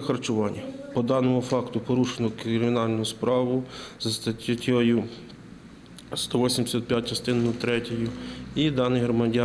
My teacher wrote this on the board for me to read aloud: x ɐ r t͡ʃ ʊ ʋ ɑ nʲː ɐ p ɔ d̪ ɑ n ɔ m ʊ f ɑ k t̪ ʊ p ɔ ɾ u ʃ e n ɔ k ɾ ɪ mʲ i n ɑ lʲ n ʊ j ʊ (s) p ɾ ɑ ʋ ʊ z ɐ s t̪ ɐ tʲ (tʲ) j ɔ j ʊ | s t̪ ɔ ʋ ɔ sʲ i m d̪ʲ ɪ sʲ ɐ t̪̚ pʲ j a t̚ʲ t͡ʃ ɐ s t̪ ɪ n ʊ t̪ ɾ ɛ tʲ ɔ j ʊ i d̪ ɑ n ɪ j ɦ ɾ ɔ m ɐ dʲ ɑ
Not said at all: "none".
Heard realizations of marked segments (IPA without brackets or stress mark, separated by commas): s, tʲ